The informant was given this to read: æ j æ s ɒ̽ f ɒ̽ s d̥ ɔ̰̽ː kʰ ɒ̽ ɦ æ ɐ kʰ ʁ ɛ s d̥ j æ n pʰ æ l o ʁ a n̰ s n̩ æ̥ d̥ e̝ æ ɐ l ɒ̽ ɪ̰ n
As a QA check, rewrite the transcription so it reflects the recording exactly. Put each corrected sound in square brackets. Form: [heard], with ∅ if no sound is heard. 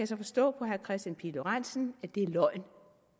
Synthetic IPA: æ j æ s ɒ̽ f ɒ̽ s d̥ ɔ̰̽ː [pʰ] ɒ̽ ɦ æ ɐ kʰ ʁ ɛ s d̥ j æ n pʰ [i] l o ʁ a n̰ s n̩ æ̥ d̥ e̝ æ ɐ l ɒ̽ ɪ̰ n